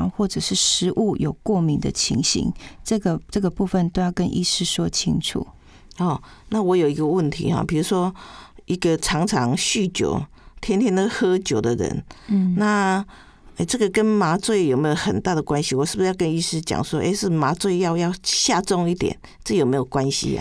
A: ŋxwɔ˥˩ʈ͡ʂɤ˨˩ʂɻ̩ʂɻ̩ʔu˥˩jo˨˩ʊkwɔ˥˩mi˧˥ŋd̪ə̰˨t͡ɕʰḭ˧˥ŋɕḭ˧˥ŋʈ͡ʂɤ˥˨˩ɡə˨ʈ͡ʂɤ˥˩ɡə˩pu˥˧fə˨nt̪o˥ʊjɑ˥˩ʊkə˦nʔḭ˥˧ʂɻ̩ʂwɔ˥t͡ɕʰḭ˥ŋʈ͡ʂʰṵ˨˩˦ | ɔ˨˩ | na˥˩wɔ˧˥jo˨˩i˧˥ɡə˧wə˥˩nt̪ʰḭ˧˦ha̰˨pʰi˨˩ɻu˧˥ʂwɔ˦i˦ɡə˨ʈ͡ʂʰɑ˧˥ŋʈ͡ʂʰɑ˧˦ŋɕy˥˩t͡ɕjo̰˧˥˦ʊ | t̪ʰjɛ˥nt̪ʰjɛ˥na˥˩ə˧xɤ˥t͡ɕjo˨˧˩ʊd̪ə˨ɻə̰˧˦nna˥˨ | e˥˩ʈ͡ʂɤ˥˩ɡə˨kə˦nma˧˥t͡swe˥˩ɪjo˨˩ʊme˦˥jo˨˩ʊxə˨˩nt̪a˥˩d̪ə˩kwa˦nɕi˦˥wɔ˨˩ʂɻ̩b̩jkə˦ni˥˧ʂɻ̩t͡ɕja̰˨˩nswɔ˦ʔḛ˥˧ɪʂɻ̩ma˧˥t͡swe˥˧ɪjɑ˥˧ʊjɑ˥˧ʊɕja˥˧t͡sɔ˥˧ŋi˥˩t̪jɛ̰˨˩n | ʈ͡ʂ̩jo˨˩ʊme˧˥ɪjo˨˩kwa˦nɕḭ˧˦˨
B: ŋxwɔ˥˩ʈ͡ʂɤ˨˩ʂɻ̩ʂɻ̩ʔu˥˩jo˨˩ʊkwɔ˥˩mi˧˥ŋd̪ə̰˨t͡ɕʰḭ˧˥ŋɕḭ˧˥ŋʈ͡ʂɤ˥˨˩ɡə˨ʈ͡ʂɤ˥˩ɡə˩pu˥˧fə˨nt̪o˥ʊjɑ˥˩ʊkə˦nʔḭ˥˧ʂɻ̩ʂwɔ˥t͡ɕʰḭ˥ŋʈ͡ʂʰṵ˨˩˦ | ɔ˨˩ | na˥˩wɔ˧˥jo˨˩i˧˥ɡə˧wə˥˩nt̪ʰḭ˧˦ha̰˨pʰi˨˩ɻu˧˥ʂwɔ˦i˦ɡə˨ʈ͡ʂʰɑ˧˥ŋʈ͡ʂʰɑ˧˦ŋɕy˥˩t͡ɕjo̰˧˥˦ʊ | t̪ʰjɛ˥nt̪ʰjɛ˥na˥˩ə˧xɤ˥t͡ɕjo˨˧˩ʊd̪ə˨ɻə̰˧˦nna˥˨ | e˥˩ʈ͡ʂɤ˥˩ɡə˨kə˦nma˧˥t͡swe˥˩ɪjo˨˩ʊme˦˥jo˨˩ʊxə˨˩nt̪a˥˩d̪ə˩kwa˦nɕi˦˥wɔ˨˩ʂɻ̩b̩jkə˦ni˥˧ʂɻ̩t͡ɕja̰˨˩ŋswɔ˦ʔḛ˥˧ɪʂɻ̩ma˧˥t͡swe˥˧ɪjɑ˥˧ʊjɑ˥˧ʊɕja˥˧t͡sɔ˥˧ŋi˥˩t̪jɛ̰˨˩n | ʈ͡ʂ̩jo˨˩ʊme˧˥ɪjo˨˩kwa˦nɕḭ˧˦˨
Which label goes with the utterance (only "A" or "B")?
B